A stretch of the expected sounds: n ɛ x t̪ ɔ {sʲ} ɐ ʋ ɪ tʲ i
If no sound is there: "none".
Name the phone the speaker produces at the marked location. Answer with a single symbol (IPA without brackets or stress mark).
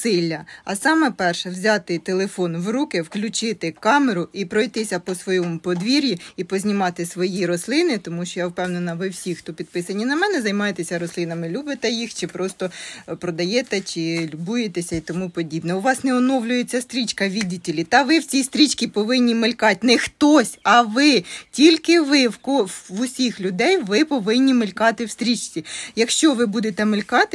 sʲ